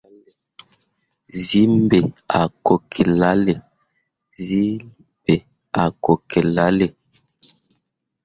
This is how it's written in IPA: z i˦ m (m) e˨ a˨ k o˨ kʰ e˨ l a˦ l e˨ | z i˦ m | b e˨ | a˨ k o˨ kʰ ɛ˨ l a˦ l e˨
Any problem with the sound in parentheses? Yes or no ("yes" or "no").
yes